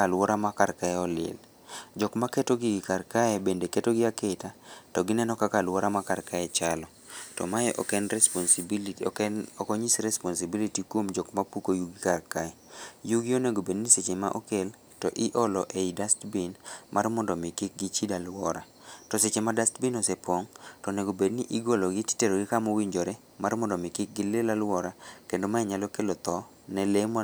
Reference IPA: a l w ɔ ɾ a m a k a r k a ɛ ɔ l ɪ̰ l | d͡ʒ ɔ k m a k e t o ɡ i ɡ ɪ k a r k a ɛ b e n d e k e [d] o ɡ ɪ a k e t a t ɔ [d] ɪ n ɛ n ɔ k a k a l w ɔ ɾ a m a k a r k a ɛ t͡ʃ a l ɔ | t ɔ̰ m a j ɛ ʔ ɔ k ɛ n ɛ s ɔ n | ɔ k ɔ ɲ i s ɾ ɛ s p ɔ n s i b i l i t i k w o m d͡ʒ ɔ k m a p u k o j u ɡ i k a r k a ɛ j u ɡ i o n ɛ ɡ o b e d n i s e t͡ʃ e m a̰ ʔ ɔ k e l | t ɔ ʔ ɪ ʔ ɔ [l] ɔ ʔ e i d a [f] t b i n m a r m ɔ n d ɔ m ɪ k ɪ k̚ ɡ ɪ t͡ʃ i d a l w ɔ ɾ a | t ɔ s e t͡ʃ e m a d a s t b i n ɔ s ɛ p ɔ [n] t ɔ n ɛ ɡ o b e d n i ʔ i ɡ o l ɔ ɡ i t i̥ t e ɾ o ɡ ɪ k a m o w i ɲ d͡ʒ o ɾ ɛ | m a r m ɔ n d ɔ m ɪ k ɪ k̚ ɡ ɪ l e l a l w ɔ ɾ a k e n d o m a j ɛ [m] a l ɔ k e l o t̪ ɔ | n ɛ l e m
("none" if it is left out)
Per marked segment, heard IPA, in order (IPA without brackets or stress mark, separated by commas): t, ɡ, l, s, ŋ, ɲ